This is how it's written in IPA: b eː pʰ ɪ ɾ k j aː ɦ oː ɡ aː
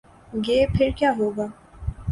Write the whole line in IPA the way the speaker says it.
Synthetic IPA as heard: ɡ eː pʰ ɪ ɾ k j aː ɦ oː ɡ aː

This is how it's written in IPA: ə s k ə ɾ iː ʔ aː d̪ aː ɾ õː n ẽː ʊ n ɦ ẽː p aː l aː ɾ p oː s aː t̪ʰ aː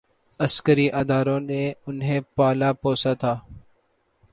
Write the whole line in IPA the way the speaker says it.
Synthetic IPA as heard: ə s k ə ɾ iː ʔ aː d̪ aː ɾ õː n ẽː ʊ n ɦ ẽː p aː l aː p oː s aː t̪ʰ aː

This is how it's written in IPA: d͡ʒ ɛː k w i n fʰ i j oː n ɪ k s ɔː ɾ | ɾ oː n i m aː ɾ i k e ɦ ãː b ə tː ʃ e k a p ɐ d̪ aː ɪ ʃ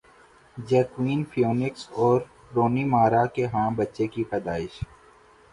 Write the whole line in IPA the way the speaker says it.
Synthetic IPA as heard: d͡ʒ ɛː k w iː n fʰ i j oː n ɪ k s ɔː ɾ | ɾ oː n i m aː ɾ a k e ɦ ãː b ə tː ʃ e k i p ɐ d̪ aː ɪ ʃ

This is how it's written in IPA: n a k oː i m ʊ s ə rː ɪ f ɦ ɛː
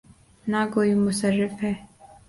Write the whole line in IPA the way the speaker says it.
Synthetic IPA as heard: n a k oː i m ʊ s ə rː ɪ f ɦ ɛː

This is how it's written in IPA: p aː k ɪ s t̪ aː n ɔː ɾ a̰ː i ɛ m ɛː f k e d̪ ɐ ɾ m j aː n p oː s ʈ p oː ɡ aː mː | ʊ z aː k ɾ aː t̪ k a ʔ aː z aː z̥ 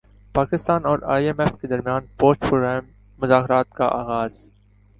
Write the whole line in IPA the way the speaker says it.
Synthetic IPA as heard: p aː k ɪ s t̪ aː n ɔː ɾ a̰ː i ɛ m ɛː f k e d̪ ɐ ɾ m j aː n p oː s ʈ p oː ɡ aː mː | ʊ z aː k ɾ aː t̪ k a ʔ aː ɣ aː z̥

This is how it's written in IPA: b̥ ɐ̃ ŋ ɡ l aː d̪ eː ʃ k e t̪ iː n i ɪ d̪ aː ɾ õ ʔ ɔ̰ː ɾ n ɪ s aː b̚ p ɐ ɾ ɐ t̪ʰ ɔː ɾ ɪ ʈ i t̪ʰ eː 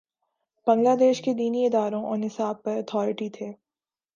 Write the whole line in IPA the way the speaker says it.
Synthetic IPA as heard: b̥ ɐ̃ ŋ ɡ l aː d̪ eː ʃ k e d̪ iː n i ɪ d̪ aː ɾ õ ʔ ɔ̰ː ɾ n ɪ s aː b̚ p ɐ ɾ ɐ t̪ʰ ɔː ɾ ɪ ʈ i t̪ʰ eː

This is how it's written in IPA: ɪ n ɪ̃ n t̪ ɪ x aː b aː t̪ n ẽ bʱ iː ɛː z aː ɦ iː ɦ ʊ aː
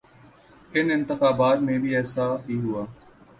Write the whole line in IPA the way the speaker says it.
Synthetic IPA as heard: ɪ n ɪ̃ n t̪ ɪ x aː b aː t̪ m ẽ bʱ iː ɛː s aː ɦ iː ɦ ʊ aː

